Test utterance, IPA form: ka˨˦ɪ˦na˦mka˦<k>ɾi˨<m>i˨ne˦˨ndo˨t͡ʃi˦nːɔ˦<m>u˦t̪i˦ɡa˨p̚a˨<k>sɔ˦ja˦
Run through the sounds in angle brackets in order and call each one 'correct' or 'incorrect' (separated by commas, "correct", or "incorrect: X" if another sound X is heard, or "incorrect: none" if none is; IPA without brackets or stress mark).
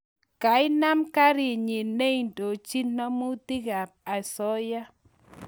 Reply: incorrect: none, incorrect: ɲ, correct, incorrect: none